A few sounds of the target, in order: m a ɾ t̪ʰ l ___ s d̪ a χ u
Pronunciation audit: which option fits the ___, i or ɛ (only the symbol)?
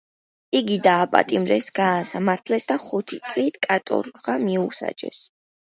ɛ